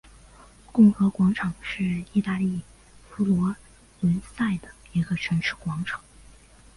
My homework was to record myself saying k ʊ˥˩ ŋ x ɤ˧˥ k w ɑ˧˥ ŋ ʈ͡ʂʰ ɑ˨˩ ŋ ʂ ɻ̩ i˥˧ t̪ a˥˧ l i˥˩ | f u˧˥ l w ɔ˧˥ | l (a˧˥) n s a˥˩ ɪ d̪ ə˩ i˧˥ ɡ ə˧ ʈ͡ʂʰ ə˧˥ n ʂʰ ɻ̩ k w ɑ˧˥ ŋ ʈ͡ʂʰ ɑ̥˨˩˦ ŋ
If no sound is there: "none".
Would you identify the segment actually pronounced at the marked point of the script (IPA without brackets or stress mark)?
ə˧˥